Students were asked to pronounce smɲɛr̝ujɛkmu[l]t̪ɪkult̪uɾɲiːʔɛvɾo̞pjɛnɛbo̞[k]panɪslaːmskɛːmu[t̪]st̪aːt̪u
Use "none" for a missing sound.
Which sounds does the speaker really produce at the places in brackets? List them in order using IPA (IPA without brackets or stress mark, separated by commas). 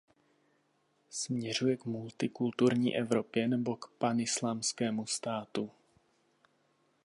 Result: l, k, none